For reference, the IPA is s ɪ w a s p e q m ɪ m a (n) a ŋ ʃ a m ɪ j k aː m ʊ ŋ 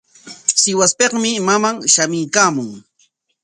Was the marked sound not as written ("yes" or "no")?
yes